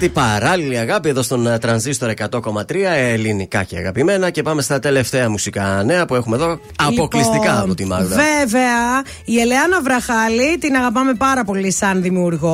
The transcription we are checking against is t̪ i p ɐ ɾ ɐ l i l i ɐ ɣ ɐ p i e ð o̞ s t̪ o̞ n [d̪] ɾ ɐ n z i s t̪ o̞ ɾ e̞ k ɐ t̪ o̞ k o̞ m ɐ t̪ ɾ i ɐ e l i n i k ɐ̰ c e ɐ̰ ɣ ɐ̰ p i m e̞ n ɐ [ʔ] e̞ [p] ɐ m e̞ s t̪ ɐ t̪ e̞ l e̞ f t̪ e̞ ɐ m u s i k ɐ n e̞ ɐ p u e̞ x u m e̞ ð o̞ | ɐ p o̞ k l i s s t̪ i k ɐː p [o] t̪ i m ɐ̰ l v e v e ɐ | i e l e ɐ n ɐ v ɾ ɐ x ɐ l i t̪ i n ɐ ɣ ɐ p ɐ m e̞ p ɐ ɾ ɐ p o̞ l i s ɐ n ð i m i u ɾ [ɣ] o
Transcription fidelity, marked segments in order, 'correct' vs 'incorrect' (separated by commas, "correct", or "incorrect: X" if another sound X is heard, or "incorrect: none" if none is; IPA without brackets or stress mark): incorrect: t̪, incorrect: c, correct, correct, correct